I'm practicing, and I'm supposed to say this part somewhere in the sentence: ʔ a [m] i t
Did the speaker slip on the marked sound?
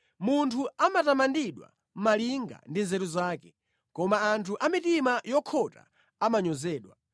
no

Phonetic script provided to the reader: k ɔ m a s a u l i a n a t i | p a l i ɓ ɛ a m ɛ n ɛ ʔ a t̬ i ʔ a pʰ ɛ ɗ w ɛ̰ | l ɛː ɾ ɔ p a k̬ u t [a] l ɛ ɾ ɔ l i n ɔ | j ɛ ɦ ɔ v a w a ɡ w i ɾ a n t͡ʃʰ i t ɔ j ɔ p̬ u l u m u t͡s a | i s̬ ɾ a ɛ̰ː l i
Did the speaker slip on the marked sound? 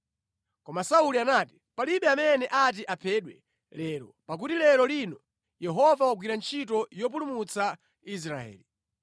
yes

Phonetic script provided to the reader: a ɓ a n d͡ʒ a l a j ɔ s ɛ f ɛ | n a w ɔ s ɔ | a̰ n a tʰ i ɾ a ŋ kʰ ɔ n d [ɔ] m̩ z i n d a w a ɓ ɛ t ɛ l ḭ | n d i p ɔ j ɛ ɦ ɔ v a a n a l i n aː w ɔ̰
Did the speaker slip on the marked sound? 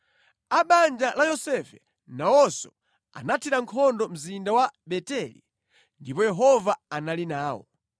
no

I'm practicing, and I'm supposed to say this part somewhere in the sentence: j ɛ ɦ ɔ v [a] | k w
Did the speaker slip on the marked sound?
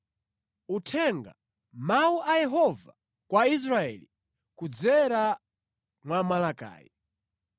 no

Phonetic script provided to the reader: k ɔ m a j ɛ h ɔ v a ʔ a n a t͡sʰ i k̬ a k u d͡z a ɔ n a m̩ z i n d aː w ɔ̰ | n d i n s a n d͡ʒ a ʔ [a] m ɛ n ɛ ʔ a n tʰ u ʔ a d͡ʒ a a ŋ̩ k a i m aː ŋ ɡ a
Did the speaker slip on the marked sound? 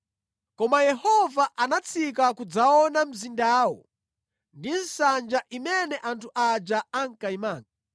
yes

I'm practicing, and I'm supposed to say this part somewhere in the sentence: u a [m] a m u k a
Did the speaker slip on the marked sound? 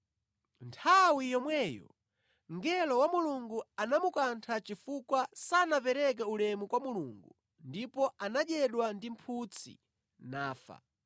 yes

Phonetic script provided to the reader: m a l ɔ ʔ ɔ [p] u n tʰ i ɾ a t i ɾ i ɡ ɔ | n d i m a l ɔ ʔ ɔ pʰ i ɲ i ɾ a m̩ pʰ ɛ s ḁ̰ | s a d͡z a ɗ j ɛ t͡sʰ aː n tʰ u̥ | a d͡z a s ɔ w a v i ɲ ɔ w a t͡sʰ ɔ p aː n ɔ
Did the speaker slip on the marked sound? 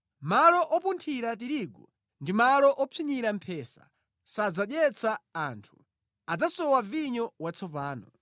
no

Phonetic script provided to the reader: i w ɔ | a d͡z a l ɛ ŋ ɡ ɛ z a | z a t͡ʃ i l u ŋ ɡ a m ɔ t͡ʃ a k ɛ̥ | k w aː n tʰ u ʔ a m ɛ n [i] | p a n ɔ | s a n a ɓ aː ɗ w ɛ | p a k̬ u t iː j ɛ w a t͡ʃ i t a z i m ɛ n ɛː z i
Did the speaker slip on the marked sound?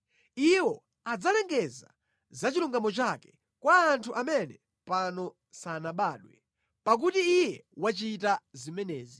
yes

